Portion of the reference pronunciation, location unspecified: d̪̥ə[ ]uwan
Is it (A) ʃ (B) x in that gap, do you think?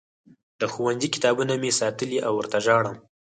B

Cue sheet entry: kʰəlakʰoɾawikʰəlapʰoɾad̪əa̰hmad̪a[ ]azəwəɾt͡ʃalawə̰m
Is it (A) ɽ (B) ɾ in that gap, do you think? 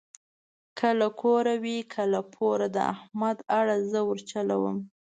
A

